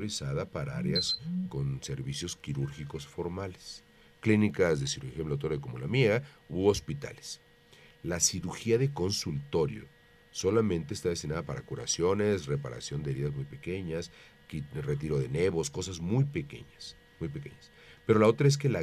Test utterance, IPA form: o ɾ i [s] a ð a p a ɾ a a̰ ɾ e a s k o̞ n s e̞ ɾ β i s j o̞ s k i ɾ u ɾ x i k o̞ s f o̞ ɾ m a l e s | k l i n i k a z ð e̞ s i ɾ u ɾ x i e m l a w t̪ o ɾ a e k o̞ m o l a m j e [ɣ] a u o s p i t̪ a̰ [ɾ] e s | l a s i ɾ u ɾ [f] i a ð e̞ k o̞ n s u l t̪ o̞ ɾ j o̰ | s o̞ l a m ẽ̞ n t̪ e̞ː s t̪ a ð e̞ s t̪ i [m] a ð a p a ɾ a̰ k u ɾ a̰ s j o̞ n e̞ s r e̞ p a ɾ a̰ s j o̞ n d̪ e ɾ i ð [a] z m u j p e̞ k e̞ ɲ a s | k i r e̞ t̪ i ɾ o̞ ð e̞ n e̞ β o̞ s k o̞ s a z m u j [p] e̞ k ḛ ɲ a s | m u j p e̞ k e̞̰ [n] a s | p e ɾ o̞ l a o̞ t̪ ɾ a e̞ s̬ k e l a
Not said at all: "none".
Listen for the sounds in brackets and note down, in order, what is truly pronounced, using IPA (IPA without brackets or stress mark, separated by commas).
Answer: s, ɣ, l, x, n, a, p, ɲ